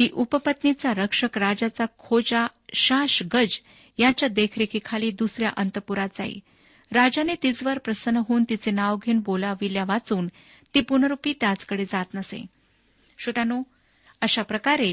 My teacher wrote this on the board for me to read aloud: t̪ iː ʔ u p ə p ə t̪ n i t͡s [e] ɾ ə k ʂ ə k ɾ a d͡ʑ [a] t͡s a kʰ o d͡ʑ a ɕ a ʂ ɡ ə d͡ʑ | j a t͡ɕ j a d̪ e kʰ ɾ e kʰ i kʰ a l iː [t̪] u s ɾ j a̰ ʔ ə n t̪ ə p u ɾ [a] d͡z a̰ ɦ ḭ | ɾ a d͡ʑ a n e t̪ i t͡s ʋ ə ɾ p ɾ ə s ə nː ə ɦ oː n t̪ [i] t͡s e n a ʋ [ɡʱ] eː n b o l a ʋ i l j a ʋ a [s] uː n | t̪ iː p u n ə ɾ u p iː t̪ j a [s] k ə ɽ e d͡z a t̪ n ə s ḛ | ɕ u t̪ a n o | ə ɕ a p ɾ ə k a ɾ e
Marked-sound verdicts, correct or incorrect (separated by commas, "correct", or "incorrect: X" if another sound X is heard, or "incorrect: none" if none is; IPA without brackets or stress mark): incorrect: a, correct, incorrect: d̪, correct, correct, correct, incorrect: t͡s, incorrect: t͡s